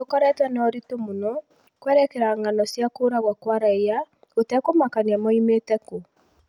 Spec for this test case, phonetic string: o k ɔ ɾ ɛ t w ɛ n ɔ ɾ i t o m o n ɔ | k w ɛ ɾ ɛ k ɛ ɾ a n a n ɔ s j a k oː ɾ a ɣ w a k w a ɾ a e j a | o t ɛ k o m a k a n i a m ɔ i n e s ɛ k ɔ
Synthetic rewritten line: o k ɔ ɾ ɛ t w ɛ n ɔ ɾ i t o m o n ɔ | k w ɛ ɾ ɛ k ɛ ɾ a ŋ a n ɔ s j a k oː ɾ a ɣ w a k w a ɾ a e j a | o t ɛ k o m a k a n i a m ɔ i m e t ɛ k o